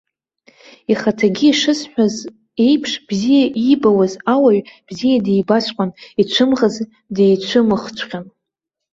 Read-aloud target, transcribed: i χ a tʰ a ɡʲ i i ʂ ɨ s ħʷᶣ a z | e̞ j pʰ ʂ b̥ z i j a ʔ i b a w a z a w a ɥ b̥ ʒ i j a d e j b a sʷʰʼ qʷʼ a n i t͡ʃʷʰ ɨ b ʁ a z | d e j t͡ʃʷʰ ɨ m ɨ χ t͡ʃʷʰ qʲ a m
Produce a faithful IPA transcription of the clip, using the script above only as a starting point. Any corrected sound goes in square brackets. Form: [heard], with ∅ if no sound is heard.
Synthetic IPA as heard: i χ a tʰ a ɡʲ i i ʂ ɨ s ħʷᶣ a z | e̞ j pʰ ʂ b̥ z i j a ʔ i b a w a z a w a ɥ b̥ [z] i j a d e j b a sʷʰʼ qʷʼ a n i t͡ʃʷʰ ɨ [m] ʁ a z | d e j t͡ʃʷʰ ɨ m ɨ χ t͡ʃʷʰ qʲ a [n]